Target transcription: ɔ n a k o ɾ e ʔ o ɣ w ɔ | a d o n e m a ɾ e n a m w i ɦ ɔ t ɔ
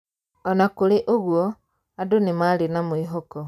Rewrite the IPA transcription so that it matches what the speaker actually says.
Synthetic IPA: ɔ n a k o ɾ e ʔ o ɣ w ɔ | a d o n e m a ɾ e n a m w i ɦ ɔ k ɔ